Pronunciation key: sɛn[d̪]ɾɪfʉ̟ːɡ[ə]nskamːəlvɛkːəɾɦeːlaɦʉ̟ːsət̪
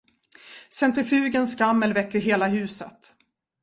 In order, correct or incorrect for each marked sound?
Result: incorrect: t̪, correct

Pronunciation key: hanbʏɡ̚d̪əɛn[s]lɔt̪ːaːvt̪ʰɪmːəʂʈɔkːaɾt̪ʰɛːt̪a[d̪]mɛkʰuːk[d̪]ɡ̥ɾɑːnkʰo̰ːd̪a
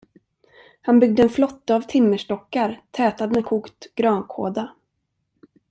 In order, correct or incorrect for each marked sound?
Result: incorrect: f, correct, incorrect: t̪

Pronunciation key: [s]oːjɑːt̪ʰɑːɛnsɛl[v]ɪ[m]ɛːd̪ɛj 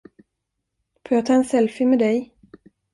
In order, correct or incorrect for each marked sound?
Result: incorrect: f, incorrect: f, correct

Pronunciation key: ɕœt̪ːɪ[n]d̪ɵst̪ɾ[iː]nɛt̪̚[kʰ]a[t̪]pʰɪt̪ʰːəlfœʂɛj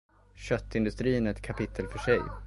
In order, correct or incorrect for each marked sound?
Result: correct, correct, correct, incorrect: none

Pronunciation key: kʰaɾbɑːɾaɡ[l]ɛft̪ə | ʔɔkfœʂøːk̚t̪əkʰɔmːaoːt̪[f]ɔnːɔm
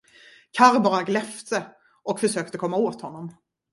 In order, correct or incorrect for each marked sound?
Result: correct, incorrect: h

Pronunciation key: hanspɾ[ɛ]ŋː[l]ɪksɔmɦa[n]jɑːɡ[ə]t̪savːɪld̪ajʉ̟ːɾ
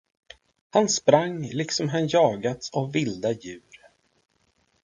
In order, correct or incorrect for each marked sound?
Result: incorrect: a, correct, correct, incorrect: a

